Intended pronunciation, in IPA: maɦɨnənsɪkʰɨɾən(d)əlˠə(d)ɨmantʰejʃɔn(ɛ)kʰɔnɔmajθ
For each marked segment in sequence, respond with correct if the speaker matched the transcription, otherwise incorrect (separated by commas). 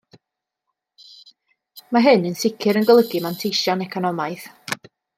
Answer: incorrect, incorrect, correct